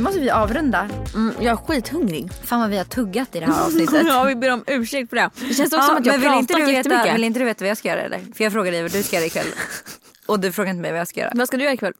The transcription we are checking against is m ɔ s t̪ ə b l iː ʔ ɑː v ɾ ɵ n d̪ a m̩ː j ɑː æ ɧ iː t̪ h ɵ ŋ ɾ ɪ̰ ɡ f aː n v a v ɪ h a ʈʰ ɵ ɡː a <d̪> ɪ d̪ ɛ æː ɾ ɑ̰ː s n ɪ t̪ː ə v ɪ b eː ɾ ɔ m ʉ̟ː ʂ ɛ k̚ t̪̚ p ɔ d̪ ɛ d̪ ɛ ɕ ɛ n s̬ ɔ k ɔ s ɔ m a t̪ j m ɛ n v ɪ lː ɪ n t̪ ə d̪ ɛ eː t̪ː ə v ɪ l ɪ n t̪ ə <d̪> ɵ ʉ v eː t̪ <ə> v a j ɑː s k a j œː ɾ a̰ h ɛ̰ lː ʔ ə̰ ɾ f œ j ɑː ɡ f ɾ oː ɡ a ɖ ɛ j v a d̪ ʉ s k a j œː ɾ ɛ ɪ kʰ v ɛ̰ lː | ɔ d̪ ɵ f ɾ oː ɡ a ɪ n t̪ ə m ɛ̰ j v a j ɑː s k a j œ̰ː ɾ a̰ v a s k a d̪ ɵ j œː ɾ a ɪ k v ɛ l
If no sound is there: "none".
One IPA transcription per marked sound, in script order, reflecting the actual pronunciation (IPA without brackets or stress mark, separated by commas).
t̪, d̪, a